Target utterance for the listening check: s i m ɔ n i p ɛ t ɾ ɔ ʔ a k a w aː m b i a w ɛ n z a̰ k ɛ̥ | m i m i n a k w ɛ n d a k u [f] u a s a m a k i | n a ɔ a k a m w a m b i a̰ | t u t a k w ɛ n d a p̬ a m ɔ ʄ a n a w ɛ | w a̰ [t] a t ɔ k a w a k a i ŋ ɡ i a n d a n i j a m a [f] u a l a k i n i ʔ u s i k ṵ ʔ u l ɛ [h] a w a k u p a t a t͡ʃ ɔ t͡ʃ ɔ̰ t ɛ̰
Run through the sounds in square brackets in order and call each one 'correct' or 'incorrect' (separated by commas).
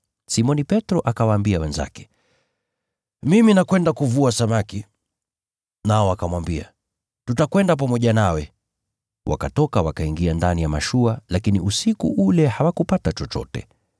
incorrect, incorrect, incorrect, correct